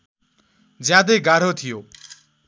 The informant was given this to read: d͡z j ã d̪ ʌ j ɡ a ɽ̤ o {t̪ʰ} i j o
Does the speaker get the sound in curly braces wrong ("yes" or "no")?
no